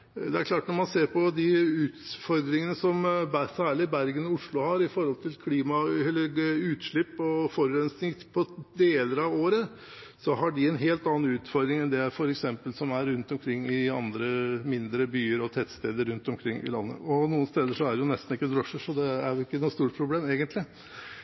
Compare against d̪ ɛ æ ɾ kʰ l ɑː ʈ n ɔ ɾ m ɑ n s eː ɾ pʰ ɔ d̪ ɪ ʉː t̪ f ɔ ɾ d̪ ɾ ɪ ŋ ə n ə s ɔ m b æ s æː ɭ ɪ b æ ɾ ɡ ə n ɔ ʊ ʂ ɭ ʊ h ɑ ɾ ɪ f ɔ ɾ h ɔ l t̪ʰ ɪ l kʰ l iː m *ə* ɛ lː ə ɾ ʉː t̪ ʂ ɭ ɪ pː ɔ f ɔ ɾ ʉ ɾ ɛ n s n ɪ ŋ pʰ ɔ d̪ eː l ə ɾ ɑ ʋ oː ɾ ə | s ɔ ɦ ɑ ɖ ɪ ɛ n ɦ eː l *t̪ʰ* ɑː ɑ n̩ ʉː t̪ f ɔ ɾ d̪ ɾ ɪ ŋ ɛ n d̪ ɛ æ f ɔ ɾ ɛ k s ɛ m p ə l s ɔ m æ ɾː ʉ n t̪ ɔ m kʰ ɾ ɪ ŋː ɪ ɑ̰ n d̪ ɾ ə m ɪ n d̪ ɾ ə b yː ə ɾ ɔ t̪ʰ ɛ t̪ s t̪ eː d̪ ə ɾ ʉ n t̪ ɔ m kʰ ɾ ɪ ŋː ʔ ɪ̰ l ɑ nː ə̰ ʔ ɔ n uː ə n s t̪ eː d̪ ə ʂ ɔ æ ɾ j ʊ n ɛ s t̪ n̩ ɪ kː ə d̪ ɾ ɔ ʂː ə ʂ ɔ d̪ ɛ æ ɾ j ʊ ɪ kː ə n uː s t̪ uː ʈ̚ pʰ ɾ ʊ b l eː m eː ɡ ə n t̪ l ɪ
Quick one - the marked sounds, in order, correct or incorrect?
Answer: incorrect, incorrect

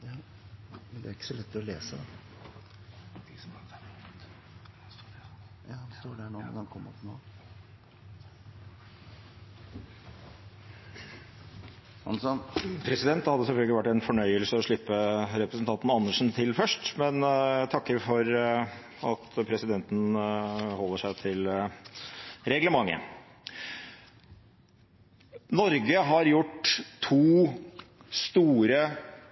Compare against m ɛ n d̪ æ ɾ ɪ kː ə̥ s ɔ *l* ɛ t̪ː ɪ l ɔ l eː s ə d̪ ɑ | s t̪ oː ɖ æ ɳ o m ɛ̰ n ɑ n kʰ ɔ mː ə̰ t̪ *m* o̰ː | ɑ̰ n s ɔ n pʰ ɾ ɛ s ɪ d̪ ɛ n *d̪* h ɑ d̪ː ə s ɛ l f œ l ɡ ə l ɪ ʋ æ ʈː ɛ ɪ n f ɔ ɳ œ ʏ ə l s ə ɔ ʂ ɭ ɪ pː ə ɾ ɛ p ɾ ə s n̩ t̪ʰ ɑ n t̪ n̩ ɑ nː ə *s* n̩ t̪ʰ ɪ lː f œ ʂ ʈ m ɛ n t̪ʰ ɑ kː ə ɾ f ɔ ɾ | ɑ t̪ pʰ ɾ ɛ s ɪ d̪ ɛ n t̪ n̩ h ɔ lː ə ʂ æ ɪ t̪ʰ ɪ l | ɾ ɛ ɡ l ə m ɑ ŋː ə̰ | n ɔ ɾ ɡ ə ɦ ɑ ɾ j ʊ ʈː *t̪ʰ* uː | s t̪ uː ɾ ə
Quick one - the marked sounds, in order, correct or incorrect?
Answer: correct, incorrect, incorrect, incorrect, correct

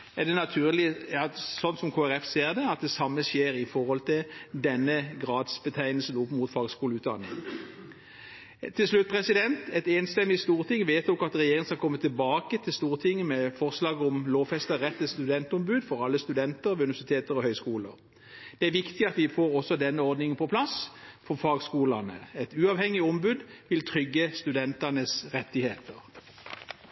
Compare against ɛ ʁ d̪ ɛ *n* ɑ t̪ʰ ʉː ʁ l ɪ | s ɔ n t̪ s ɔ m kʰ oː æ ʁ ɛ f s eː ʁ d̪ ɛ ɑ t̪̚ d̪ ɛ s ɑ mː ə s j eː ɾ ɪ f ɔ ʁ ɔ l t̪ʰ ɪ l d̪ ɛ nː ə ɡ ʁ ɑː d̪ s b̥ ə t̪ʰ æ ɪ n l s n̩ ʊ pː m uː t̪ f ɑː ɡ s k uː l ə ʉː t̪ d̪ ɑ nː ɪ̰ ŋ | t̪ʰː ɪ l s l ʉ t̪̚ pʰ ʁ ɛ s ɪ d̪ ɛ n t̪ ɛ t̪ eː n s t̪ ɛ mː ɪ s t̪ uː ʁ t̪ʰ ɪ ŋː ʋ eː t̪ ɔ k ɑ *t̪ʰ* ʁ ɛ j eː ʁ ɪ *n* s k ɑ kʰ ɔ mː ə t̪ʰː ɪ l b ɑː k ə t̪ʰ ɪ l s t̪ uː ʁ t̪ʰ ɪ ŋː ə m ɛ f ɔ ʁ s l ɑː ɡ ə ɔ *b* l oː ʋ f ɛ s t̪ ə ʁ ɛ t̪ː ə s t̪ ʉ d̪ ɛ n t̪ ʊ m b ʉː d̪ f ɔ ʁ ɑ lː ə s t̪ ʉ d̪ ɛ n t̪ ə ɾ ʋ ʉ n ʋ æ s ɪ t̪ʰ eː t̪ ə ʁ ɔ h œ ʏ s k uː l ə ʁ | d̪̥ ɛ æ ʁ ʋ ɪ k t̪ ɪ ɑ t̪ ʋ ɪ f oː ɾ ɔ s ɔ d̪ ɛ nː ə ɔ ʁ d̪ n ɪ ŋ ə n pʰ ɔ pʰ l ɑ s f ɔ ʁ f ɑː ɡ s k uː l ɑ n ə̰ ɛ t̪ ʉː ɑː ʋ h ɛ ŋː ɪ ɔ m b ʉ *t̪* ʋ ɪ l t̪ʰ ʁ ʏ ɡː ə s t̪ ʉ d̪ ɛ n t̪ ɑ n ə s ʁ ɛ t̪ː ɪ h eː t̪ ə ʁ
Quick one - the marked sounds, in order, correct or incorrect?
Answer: correct, incorrect, incorrect, incorrect, incorrect

